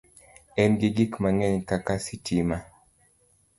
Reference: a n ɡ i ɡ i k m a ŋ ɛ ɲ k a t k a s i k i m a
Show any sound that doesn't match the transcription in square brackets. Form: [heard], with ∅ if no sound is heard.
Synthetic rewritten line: [ɛ] n ɡ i ɡ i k m a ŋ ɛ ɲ k a [∅] k a s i [t] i m a

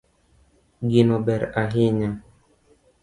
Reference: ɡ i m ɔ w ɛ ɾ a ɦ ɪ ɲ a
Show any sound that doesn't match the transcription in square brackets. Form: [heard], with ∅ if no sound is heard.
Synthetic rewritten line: ɡ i [n] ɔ [b] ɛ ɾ a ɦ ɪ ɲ a

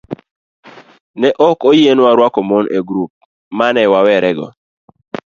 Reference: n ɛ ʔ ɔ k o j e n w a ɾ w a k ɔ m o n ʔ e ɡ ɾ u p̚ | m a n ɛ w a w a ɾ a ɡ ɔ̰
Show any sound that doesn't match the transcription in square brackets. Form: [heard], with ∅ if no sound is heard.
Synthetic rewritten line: n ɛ ʔ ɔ k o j e n w a ɾ w a k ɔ m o n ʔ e ɡ ɾ u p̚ | m a n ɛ w a w [ɛ] ɾ [ɛ] ɡ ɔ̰

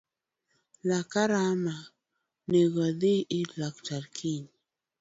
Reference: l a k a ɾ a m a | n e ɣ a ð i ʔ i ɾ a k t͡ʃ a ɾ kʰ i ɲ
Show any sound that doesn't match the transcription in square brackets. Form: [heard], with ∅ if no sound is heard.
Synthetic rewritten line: l a k a ɾ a m a | n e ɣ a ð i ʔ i [l] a k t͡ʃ a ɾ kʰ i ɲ

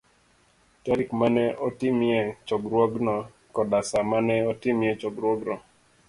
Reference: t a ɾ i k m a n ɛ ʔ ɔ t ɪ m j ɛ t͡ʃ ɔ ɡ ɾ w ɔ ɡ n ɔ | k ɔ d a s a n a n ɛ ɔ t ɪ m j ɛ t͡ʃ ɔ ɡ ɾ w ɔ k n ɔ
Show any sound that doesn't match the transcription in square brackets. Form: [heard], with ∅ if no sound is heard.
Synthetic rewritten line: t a ɾ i k m a n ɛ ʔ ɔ t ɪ m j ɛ t͡ʃ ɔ ɡ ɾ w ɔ ɡ n ɔ | k ɔ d a s a [m] a n ɛ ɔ t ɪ m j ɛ t͡ʃ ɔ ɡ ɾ w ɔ [ɡ] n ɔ

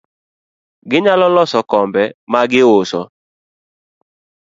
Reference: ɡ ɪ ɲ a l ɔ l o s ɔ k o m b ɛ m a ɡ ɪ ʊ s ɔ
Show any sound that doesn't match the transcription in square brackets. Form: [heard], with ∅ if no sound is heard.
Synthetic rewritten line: ɡ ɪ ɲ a l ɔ l [ɔ] s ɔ k [ɔ] m b ɛ m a ɡ ɪ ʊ s ɔ

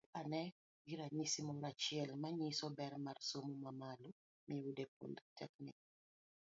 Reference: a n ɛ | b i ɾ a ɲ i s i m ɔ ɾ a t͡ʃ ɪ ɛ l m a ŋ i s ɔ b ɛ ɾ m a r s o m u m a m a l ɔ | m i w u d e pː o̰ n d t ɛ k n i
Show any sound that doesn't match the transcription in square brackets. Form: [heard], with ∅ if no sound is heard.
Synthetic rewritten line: a n ɛ | [ɡ] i ɾ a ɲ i s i m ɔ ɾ a t͡ʃ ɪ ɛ l m a [ɲ] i s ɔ b ɛ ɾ m a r s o m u m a m a l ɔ | m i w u d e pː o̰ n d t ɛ k n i

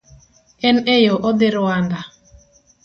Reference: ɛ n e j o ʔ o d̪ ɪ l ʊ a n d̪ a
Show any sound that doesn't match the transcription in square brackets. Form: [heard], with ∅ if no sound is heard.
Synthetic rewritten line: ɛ n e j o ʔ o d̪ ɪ [ɾ] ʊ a n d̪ a

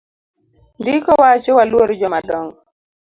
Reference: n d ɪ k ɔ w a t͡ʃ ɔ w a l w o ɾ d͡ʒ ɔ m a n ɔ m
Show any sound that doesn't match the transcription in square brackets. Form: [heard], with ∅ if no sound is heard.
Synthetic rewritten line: n d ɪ k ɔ w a t͡ʃ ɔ w a l w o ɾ d͡ʒ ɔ m a [d] ɔ [ŋ]

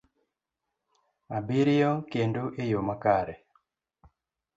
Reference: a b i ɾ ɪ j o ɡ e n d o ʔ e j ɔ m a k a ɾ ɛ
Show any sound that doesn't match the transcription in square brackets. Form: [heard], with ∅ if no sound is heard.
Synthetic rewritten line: a b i ɾ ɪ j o [k] e n d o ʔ e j [o] m a k a ɾ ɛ

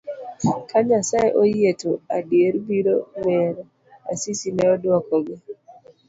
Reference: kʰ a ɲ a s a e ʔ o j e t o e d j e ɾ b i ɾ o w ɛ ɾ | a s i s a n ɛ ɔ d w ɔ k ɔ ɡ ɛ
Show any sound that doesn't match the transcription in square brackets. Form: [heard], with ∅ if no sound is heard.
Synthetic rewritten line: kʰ a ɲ a s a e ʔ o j e t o [a] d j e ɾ b i ɾ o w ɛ ɾ | a s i s [i] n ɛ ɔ d w ɔ k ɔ ɡ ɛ

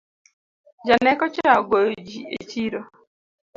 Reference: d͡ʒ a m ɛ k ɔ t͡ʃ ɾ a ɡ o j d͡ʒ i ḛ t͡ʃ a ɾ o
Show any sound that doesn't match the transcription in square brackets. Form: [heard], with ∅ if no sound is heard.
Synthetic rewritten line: d͡ʒ a [n] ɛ k ɔ t͡ʃ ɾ a ɡ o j d͡ʒ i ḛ t͡ʃ [i] ɾ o

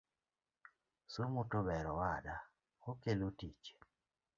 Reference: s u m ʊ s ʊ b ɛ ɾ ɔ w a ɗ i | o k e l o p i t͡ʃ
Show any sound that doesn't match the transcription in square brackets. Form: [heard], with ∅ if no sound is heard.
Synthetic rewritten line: s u m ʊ [t] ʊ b ɛ ɾ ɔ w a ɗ [a] | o k e l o [t] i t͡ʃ

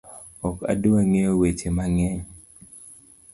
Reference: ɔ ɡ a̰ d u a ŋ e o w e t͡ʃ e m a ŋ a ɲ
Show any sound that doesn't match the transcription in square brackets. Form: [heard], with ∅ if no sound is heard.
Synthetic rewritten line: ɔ [k] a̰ d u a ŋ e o w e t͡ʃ e m a ŋ [ɛ] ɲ

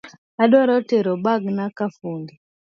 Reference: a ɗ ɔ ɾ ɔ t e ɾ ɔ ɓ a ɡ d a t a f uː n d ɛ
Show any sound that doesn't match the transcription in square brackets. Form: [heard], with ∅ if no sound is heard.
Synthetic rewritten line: a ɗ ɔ ɾ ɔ t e ɾ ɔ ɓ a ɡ [n] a [k] a f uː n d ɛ

